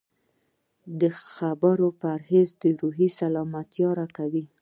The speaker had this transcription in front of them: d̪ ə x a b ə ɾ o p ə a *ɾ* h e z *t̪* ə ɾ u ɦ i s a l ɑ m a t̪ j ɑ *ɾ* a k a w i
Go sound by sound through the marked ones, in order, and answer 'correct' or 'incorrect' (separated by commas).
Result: correct, incorrect, correct